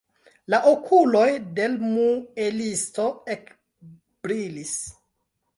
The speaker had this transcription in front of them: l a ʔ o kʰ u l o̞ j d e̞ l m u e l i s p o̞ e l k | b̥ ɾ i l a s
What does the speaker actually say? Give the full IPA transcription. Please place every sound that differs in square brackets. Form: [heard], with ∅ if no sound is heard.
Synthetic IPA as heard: l a ʔ o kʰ u l o̞ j d e̞ l m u e l i s [t] o̞ e [∅] k | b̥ ɾ i l [i] s